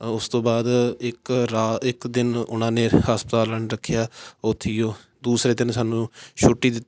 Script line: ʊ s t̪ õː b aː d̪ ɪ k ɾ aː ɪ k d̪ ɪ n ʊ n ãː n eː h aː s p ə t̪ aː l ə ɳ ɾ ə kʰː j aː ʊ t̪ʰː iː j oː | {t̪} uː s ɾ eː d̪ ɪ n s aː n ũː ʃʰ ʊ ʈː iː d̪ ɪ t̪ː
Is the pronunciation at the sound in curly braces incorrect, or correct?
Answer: incorrect: d̪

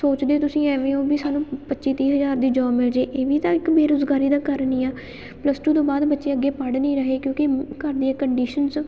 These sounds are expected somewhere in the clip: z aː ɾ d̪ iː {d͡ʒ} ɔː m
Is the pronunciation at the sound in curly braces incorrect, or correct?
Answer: correct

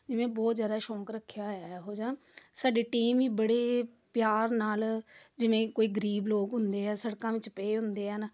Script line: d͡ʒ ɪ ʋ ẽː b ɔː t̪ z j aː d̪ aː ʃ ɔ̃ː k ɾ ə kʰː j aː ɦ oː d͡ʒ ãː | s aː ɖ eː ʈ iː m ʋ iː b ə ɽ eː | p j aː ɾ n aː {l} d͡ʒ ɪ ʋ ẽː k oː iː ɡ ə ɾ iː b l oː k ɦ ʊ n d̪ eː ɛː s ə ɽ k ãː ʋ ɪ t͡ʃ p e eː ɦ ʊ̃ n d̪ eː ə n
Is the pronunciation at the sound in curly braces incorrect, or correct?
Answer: correct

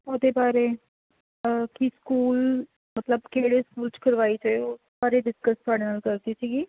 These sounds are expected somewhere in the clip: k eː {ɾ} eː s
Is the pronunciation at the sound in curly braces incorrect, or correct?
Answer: incorrect: ɽ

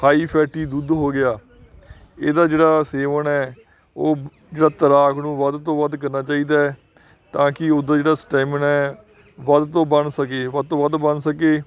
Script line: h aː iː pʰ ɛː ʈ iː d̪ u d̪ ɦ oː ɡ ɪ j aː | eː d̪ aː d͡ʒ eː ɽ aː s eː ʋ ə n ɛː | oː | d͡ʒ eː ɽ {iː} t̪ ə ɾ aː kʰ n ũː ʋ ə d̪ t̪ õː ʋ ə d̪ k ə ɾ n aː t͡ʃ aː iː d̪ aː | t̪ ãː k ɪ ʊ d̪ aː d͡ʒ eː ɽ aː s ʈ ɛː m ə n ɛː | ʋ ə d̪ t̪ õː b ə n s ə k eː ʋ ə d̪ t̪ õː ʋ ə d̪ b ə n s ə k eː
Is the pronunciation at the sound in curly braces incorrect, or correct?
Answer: incorrect: aː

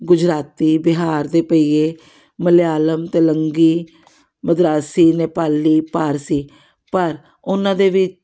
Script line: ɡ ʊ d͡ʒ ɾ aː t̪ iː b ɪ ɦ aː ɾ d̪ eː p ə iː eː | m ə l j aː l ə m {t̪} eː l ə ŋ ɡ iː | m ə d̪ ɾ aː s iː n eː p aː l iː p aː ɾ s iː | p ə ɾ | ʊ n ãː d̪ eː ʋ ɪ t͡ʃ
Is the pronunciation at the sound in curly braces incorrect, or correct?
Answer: correct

